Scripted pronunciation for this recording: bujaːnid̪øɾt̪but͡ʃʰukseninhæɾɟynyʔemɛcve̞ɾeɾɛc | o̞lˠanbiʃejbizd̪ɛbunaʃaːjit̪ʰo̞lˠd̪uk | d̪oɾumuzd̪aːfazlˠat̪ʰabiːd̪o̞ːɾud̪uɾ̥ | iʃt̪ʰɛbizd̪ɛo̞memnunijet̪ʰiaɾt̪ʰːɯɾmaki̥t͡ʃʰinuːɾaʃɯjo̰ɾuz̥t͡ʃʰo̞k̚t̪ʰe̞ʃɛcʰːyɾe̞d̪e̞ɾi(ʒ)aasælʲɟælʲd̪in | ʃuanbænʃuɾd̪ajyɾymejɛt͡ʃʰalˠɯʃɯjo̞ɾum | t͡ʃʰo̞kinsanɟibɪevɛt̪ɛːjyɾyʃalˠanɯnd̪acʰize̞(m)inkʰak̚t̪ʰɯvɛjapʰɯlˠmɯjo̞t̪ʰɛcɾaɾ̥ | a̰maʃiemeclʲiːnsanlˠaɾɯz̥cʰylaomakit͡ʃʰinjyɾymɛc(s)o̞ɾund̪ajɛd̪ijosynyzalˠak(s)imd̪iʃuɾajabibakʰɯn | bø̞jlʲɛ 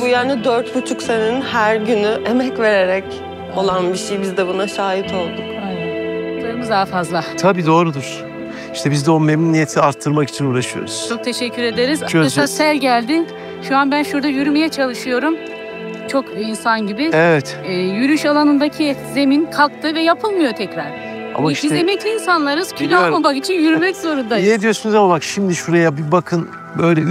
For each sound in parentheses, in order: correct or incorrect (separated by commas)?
incorrect, correct, incorrect, incorrect